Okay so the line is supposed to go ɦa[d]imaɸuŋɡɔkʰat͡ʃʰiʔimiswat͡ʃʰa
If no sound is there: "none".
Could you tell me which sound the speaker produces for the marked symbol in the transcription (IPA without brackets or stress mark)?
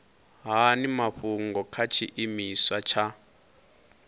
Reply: n